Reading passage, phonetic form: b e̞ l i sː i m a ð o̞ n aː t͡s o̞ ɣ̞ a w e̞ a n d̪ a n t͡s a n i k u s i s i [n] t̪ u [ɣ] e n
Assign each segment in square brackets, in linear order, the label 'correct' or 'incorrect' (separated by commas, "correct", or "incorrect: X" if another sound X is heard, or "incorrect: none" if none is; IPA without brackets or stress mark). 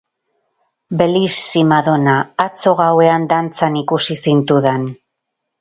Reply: correct, incorrect: ð